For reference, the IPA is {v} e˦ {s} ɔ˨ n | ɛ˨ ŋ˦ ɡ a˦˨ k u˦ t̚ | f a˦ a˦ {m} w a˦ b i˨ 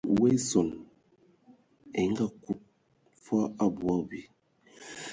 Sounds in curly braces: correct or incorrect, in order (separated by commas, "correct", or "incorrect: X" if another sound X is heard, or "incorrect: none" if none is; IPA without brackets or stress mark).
incorrect: w, correct, incorrect: b